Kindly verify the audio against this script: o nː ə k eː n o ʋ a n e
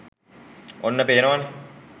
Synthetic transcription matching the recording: o nː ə p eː n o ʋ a n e

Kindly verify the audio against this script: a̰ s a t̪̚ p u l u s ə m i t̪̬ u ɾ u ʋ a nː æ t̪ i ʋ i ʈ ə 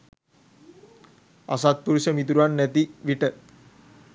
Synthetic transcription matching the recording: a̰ s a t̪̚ p u ɾ u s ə m i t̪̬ u ɾ u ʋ a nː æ t̪ i ʋ i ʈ ə

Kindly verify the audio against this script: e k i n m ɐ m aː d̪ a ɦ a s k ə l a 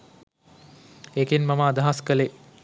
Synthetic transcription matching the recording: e k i n m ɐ m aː d̪ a ɦ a s k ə l e

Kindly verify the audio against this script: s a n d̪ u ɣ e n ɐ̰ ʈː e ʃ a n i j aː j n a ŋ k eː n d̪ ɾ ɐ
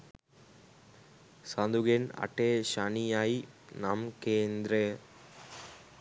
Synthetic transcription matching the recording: s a n d̪ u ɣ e n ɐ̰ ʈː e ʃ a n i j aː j n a m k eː n d̪ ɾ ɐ

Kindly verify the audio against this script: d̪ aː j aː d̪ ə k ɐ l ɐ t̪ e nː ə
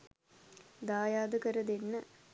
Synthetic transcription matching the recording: d̪ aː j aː d̪ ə k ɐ ɾ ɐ d̪ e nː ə

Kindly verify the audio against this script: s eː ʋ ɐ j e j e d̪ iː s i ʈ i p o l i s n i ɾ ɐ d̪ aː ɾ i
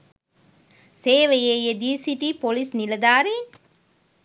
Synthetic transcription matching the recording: s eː ʋ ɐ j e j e d̪ iː s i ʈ i p o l i s n i l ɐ d̪ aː ɾ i

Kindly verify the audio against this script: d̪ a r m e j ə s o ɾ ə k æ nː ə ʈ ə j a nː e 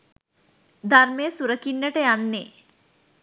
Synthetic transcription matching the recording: d̪ a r m e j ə s u ɾ ə k i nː ə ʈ ə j a nː e

